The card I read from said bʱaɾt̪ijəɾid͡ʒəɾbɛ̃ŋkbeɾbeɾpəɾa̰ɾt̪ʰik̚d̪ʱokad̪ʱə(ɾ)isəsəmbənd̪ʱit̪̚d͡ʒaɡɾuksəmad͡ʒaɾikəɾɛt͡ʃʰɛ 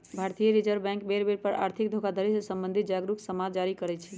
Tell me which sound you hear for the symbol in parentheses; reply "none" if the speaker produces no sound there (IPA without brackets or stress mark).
ɾ